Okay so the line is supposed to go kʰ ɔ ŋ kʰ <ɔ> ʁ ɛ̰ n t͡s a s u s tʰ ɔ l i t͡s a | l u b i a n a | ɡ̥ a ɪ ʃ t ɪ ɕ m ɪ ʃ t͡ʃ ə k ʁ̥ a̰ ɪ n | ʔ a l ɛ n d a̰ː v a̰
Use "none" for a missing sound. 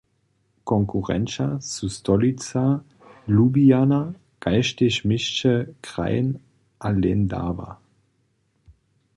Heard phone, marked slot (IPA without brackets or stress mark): u